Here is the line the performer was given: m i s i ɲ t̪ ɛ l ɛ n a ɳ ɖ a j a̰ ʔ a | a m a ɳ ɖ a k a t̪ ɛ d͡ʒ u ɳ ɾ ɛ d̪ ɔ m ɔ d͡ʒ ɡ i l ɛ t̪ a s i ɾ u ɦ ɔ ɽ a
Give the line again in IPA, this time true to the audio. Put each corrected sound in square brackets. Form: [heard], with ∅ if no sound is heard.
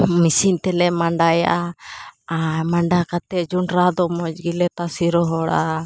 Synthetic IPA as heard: m i s i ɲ t̪ ɛ l ɛ [m] a ɳ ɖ a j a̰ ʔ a | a m a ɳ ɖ a k a t̪ ɛ d͡ʒ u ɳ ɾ [a] d̪ ɔ m ɔ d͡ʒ ɡ i l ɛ t̪ a s i ɾ [ɔ] ɦ ɔ ɽ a